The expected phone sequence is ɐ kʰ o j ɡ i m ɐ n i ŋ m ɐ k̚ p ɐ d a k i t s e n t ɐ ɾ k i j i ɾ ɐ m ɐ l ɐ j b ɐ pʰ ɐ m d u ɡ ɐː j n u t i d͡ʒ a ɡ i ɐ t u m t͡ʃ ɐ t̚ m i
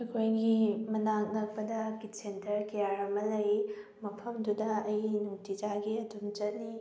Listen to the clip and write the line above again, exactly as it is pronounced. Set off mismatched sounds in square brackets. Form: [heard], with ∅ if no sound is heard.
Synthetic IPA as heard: ɐ kʰ o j ɡ i m ɐ n [a] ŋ [n] ɐ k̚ p ɐ d [ɐ] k i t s e n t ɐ ɾ k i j [a] ɾ ɐ m ɐ l ɐ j [m] ɐ pʰ ɐ m d u [d] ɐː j n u t i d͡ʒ a ɡ i ɐ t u m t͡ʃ ɐ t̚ [n] i